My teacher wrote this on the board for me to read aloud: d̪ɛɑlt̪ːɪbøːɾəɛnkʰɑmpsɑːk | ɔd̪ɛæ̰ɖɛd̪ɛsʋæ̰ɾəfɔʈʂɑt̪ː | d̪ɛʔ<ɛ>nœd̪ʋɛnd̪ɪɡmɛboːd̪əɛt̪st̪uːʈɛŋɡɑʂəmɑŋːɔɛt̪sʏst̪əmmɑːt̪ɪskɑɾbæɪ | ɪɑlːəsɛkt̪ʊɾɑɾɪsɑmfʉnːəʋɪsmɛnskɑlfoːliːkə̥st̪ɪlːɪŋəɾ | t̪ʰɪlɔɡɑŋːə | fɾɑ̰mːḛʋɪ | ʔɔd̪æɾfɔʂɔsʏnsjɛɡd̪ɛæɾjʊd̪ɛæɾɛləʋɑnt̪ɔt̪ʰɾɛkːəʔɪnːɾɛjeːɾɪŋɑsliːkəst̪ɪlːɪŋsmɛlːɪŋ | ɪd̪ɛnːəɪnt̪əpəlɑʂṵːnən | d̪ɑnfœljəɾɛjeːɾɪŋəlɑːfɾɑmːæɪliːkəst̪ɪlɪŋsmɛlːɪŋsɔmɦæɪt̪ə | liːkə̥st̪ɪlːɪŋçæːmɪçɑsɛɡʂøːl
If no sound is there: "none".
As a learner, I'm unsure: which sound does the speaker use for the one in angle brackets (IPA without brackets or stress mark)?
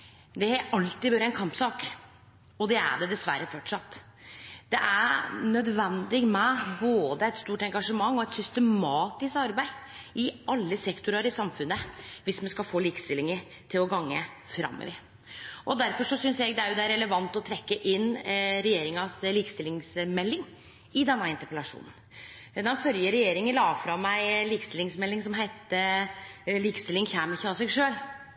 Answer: æ